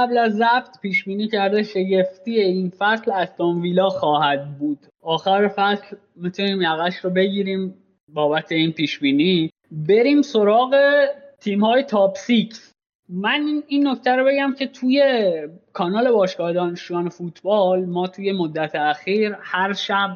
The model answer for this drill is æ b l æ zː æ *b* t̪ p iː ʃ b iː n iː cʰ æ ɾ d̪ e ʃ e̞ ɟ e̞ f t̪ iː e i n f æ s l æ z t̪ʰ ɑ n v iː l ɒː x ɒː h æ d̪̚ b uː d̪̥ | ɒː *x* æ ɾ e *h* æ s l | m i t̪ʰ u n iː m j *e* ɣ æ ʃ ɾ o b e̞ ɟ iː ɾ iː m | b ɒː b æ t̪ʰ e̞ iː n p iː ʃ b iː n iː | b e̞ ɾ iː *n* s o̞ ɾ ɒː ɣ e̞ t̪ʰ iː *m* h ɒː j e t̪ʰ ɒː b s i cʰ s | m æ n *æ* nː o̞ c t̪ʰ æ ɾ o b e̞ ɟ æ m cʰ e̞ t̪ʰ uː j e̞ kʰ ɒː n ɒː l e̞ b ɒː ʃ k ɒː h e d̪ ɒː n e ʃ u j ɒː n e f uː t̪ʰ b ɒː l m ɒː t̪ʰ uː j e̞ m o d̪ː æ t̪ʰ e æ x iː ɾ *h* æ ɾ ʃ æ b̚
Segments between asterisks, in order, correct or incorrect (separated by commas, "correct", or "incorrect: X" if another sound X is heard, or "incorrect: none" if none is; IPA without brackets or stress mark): correct, correct, incorrect: f, incorrect: æ, incorrect: m, correct, incorrect: i, correct